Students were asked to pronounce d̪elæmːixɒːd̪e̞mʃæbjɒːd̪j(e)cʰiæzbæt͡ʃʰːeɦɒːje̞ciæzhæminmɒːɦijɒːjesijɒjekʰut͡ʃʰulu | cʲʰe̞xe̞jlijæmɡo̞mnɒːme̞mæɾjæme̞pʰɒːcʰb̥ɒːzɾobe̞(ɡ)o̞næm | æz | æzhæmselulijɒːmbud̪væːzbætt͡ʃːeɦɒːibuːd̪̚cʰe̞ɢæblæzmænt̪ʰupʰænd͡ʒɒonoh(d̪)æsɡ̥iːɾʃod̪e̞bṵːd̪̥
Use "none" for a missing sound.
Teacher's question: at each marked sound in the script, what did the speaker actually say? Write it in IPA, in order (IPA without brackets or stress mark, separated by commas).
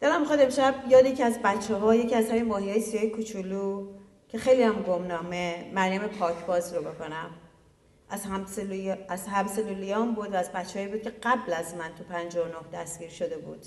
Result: e, k, d̪